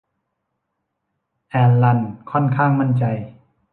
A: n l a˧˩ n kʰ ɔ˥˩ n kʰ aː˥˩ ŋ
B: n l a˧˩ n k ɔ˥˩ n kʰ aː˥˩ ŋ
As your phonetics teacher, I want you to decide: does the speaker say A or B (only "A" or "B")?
A